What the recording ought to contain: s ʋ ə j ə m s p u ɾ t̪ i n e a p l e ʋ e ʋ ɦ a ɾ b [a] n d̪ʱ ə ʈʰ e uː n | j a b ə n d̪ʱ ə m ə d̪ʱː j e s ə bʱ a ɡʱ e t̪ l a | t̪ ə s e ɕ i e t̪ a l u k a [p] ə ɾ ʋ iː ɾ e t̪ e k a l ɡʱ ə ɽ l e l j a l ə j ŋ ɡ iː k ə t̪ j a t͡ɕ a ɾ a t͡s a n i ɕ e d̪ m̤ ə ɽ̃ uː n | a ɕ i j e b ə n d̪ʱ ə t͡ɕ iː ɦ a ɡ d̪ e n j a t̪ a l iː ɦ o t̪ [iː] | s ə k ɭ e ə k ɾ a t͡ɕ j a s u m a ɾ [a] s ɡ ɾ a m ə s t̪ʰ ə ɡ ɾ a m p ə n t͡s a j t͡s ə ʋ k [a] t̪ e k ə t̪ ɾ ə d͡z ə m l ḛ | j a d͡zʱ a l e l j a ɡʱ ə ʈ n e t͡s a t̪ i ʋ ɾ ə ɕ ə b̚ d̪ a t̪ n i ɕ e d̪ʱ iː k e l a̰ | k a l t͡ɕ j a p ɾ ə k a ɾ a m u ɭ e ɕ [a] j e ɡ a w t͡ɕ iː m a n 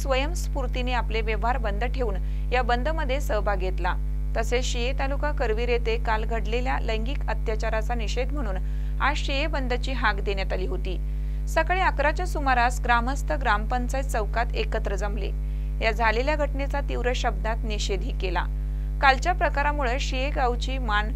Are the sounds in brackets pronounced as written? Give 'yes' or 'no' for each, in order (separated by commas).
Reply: no, no, yes, yes, yes, no